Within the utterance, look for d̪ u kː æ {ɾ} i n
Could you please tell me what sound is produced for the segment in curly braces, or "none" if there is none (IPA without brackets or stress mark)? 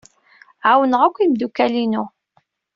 l